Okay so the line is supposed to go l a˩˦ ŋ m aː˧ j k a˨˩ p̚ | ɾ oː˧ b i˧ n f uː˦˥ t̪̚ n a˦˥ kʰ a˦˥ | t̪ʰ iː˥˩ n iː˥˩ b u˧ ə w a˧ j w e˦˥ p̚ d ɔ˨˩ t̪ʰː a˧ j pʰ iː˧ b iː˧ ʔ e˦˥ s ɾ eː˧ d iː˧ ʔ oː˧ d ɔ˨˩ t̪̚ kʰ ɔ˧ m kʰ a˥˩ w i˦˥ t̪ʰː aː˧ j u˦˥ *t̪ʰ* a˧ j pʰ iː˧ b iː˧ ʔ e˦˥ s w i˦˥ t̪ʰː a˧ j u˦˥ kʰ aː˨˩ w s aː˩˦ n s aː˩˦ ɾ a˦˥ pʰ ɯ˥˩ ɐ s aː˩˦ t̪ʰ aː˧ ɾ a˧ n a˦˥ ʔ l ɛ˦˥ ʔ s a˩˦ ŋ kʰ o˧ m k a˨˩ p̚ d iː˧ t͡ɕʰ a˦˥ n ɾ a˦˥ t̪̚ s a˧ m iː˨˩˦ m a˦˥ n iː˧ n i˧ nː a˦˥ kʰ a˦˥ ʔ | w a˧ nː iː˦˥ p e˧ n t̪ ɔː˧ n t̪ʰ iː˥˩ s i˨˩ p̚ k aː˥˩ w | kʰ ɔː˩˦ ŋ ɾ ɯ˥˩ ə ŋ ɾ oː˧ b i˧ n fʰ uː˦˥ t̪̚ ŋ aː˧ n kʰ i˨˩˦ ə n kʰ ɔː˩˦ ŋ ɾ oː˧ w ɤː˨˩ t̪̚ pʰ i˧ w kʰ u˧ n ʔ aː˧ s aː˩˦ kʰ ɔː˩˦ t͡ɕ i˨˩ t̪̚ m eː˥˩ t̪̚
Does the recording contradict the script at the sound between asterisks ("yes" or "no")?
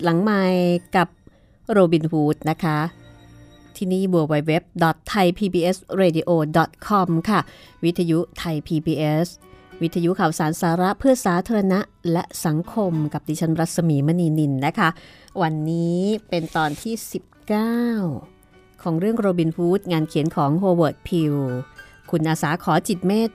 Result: no